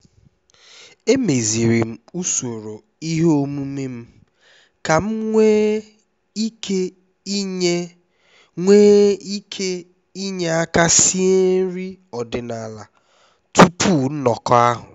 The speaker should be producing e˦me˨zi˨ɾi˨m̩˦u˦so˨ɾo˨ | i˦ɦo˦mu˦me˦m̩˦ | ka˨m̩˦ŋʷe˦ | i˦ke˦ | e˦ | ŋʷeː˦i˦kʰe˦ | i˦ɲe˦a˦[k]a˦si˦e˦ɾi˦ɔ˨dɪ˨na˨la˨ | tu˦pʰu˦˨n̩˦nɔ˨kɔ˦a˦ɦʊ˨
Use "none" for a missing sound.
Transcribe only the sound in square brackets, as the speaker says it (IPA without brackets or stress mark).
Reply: k